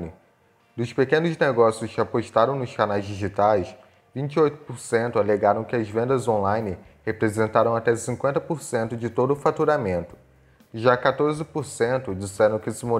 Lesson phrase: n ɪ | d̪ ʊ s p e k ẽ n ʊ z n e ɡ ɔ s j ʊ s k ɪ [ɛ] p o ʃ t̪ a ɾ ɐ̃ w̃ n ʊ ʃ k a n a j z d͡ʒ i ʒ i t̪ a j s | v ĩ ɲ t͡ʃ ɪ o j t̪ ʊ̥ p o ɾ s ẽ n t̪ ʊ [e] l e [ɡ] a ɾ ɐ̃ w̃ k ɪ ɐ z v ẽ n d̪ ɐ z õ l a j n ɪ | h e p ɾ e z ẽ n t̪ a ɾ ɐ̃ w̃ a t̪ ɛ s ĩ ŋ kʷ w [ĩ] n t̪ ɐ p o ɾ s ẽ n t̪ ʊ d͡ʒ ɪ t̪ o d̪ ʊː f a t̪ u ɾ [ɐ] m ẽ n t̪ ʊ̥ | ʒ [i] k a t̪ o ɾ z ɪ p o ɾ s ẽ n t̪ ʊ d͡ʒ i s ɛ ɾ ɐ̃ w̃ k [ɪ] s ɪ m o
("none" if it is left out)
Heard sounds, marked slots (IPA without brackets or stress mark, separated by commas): a, a, ɡ, ẽ, a, a, ɪ